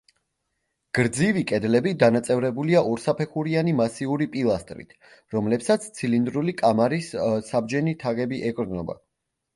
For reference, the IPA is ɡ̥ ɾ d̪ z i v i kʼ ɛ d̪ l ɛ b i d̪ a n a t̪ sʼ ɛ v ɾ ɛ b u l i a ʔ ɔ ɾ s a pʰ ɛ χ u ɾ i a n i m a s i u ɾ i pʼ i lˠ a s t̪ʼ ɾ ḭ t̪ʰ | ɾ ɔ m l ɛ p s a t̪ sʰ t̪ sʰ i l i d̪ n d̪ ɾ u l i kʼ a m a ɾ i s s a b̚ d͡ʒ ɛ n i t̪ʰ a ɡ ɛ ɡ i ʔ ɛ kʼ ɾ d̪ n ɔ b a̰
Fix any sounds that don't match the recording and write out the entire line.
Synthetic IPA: ɡ̥ ɾ d̪ z i v i kʼ ɛ d̪ l ɛ b i d̪ a n a t̪ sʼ ɛ v ɾ ɛ b u l i a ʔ ɔ ɾ s a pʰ ɛ χ u ɾ i a n i m a s i u ɾ i pʼ i lˠ a s t̪ʼ ɾ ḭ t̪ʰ | ɾ ɔ m l ɛ p s a t̪ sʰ t̪ sʰ i l i n d̪ ɾ u l i kʼ a m a ɾ i s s a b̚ d͡ʒ ɛ n i t̪ʰ a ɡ ɛ b i ʔ ɛ kʼ ɾ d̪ n ɔ b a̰